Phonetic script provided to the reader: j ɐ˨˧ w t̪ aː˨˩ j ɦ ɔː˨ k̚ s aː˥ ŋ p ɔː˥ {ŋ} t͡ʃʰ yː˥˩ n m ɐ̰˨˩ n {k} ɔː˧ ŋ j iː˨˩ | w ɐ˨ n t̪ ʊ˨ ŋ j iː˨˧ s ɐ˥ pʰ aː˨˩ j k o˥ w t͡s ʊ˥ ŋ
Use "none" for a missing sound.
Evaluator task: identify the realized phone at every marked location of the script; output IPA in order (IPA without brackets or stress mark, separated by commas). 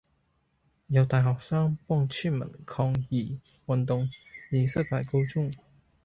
ŋ, kʰ